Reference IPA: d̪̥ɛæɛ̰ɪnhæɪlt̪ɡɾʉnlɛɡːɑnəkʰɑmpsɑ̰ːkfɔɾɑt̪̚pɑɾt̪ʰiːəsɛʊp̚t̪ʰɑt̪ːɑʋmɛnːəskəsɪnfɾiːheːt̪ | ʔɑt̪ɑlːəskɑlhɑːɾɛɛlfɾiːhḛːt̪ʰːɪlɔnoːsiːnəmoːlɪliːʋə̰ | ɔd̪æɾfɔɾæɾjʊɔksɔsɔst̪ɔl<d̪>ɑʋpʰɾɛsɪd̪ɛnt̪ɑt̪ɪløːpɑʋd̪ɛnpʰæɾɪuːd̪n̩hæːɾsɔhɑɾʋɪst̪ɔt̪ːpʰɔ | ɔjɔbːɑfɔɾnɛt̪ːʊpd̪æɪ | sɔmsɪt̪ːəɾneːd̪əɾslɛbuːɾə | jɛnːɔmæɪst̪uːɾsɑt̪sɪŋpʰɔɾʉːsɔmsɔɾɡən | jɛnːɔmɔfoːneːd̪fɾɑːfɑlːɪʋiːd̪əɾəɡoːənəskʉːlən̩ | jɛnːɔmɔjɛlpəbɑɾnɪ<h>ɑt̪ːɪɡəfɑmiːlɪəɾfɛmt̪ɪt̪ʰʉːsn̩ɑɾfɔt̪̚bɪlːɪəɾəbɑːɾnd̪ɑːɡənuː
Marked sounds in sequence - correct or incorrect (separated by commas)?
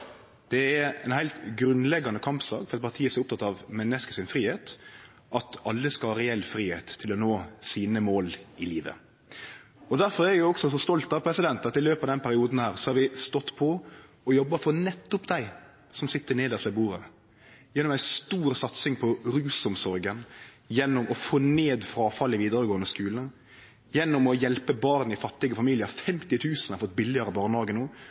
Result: incorrect, incorrect